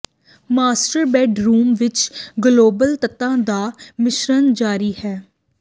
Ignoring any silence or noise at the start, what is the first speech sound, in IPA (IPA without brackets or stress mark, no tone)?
m